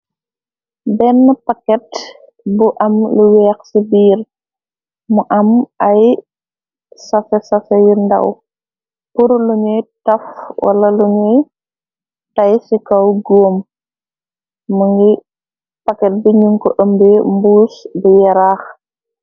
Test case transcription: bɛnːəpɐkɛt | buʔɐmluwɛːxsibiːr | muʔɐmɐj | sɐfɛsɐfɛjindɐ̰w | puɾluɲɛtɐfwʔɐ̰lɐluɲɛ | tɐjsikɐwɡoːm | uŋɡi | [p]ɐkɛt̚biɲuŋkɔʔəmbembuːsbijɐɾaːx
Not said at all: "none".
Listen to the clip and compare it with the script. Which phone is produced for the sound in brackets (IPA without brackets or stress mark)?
p